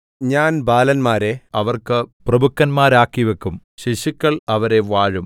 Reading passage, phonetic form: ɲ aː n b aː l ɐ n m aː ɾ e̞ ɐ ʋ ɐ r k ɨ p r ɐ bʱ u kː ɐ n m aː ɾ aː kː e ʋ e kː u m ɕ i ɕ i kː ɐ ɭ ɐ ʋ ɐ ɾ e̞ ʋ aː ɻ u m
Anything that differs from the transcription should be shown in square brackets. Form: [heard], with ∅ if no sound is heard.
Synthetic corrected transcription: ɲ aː n b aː l ɐ n m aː ɾ e̞ ɐ ʋ ɐ r k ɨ p r ɐ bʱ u kː ɐ n m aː ɾ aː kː [i] ʋ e kː u m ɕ i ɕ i kː ɐ ɭ ɐ ʋ ɐ ɾ e̞ ʋ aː ɻ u m